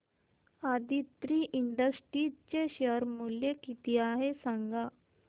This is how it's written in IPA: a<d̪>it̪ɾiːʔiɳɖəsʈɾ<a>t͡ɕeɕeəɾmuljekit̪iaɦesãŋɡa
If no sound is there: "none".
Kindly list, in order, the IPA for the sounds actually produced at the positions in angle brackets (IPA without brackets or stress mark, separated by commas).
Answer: d̪, i